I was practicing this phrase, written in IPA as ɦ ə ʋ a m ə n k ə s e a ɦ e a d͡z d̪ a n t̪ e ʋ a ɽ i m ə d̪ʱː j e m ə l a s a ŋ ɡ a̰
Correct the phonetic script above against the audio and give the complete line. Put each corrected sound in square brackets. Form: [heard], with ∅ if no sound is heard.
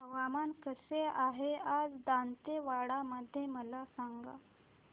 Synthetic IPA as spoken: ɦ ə ʋ a m [a] n k ə s e a ɦ e a d͡z d̪ a n t̪ e ʋ a ɽ [a] m ə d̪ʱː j e m ə l a s a ŋ ɡ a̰

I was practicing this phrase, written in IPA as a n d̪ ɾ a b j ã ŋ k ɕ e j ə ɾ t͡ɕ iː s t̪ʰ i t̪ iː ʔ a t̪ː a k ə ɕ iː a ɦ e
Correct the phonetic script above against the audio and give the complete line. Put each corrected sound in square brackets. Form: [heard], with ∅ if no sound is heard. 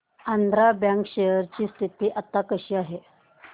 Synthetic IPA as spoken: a n d̪ ɾ a b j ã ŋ k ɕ e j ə ɾ t͡ɕ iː s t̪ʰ i t̪ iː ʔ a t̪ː a k ə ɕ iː a ɦ e

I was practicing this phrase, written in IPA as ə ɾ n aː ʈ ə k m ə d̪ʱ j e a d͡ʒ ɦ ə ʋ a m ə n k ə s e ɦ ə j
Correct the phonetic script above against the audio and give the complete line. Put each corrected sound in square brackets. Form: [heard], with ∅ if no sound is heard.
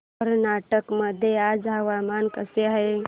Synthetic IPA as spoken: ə ɾ n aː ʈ ə k m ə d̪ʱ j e a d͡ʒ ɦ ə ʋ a m [a] n k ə s e ɦ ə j

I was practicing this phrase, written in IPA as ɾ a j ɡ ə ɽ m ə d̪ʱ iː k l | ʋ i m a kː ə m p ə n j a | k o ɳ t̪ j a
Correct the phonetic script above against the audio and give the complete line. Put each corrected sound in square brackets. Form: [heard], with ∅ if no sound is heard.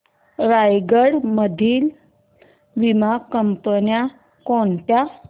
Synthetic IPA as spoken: ɾ a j ɡ ə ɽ m ə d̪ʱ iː [∅] l | ʋ i m a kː ə m p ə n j a | k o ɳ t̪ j a

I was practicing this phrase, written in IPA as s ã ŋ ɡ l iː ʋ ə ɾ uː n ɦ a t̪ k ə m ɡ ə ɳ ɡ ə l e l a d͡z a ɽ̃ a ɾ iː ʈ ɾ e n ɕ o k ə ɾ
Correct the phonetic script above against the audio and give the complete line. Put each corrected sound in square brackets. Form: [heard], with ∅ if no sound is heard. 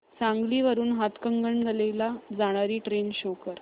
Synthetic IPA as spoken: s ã ŋ ɡ l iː ʋ ə ɾ uː n ɦ a t̪ k ə [ŋ] ɡ ə ɳ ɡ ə l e l a d͡z a ɽ̃ a ɾ iː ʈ ɾ e n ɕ o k ə ɾ

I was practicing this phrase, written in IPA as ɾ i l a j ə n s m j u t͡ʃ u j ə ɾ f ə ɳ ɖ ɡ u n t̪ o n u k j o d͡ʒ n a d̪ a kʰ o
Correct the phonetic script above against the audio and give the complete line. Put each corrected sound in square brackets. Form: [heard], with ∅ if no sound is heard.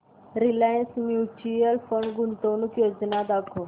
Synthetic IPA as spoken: ɾ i l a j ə n s m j u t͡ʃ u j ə [l] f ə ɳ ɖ ɡ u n t̪ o n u k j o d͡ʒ n a d̪ a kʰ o

